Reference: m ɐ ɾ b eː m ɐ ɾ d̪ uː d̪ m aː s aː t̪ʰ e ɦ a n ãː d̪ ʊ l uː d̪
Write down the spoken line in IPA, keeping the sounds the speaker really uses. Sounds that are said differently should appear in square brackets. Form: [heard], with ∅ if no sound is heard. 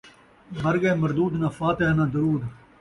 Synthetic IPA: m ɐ ɾ [ɡ] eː m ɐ ɾ d̪ uː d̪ [n] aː [f] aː [t̪] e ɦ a n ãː d̪ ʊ [ɾ] uː d̪